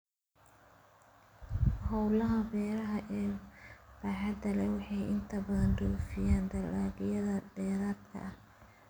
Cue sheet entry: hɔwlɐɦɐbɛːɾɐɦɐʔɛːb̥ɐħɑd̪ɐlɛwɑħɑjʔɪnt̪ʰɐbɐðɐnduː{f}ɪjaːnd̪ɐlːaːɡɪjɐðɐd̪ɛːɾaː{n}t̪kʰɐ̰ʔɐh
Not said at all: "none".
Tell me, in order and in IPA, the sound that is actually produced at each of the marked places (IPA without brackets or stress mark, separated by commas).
f, none